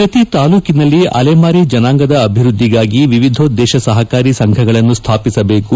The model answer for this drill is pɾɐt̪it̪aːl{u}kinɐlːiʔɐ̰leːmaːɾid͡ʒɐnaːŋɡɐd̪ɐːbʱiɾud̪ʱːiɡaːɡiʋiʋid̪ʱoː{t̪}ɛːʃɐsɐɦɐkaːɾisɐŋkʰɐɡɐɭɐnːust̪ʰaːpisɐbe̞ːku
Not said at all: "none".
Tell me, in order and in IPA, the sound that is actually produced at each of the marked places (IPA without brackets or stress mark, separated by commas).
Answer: uː, d̪